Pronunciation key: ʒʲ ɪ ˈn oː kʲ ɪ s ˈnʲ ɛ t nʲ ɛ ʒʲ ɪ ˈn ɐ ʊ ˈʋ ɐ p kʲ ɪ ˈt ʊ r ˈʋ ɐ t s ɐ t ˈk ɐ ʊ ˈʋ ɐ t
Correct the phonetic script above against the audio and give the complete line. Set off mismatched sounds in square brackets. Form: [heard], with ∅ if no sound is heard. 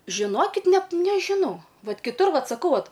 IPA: ʒʲ ɪ ˈn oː kʲ ɪ [t] ˈnʲ ɛ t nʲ ɛ ʒʲ ɪ ˈn ɐ ʊ ˈʋ ɐ [t] kʲ ɪ ˈt ʊ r ˈʋ ɐ t s ɐ [∅] ˈk ɐ ʊ ˈʋ ɐ t